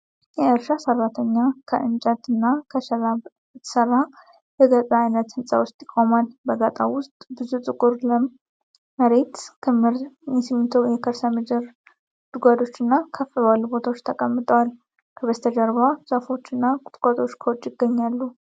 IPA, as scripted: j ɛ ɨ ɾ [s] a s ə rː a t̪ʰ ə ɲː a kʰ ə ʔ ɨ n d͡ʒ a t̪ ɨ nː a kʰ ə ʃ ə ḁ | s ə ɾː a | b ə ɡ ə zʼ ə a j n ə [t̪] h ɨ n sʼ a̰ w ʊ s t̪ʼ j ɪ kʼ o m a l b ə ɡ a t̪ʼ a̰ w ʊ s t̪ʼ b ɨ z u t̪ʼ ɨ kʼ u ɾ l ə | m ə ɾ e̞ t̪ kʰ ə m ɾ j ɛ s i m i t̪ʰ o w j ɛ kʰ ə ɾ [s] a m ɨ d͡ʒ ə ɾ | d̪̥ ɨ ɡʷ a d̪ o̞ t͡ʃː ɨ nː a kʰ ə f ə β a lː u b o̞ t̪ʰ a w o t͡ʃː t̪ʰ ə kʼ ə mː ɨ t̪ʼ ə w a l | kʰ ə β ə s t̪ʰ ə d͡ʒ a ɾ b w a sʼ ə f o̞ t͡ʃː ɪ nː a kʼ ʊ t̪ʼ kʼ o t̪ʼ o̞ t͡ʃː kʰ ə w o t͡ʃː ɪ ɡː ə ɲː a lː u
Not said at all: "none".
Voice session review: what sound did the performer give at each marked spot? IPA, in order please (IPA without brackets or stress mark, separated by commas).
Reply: ʃ, t̪, s